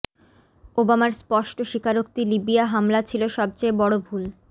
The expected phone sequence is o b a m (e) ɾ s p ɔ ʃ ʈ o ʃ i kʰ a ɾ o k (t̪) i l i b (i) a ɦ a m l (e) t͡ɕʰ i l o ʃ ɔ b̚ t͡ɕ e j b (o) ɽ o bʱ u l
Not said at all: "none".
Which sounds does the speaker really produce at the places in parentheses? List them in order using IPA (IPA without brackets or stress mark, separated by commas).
a, t̪, i, a, ɔ